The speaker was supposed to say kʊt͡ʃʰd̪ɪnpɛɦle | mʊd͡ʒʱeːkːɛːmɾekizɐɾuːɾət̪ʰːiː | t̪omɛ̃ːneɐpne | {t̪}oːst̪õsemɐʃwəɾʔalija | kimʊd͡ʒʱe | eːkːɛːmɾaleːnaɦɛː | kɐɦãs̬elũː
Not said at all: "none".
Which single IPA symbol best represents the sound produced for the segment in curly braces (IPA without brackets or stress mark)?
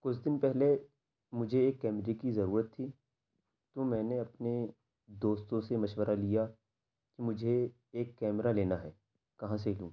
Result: d̪